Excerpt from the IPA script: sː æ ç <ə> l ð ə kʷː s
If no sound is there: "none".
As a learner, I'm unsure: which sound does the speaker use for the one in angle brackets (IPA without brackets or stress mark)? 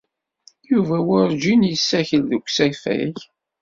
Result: ə